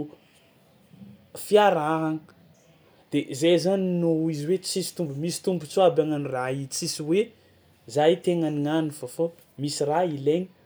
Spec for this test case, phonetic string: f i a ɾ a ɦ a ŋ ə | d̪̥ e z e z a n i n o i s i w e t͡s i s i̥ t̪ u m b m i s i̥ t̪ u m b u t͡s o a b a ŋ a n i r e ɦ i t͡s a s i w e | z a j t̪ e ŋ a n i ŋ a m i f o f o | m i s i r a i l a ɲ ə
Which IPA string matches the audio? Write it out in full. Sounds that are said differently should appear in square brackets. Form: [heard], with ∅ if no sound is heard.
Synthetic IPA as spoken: f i a ɾ a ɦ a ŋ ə | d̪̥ e z e z a n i n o i [z] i w e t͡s i s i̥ t̪ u m b m i s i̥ t̪ u m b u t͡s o a b a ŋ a n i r [a] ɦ i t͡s [i] s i w e | z a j t̪ e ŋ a n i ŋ a [n] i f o f o | m i s i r a i l [e] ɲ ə